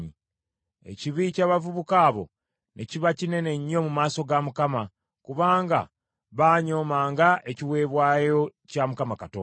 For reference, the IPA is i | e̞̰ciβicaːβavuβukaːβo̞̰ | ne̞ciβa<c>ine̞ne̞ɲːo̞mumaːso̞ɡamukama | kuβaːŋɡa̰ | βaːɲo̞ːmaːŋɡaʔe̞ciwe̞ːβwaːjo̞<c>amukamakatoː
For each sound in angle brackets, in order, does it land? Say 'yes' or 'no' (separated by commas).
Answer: yes, yes